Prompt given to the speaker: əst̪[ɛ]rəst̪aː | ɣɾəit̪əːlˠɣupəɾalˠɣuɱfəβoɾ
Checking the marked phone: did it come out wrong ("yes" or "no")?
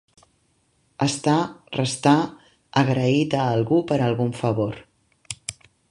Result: yes